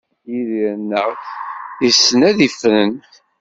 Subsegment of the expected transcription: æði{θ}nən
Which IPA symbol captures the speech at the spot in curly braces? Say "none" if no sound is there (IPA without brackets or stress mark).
f